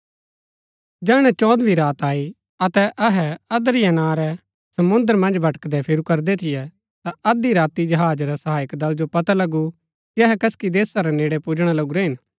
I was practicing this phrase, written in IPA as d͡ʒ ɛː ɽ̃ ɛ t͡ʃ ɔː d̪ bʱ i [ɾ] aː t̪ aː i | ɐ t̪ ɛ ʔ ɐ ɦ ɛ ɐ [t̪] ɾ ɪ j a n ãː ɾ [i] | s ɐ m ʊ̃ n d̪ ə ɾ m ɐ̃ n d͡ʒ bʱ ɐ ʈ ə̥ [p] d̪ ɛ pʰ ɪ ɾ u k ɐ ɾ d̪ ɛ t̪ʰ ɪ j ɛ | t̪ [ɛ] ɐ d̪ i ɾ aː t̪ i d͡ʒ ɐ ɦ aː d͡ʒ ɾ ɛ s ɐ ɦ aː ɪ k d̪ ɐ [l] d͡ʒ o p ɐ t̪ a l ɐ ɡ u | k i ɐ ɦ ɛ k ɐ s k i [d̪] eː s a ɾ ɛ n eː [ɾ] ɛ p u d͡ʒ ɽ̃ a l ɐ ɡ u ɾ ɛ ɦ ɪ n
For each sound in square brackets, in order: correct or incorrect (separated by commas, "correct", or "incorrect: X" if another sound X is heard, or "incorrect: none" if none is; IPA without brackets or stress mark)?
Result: correct, incorrect: d̪, incorrect: ɛ, incorrect: k, incorrect: a, correct, correct, incorrect: ɽ